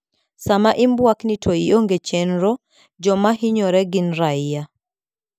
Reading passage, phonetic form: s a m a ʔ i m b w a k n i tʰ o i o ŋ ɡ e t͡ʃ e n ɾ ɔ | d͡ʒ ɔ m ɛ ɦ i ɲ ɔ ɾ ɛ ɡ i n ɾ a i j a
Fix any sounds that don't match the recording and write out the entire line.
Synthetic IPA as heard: s a m a ʔ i m b w a k n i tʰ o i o ŋ ɡ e t͡ʃ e n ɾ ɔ | d͡ʒ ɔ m a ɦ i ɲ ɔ ɾ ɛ ɡ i n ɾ a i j a